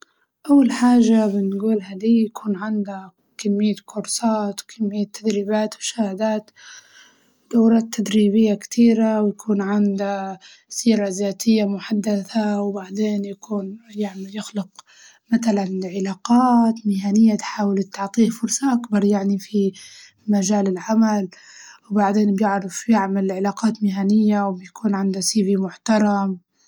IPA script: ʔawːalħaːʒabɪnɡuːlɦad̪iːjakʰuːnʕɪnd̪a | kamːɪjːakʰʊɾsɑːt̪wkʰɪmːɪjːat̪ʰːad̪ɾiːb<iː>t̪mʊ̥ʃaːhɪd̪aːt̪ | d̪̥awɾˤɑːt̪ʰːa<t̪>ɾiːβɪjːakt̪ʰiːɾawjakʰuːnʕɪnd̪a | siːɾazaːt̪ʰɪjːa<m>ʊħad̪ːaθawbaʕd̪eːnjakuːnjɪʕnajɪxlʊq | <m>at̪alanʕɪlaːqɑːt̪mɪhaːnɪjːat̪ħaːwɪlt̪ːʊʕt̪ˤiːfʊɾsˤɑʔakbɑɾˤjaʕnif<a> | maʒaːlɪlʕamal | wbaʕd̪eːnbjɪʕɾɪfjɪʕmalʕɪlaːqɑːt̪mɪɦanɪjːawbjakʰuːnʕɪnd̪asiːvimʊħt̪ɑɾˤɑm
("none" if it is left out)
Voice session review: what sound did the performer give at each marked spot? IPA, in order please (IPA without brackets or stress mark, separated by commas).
aː, d̪, m, m, i